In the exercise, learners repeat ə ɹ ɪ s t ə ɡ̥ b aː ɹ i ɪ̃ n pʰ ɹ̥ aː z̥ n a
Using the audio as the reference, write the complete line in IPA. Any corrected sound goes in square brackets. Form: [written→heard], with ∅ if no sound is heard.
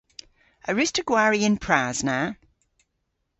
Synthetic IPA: ə ɹ ɪ s t ə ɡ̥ [b→w] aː ɹ i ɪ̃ n pʰ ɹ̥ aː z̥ n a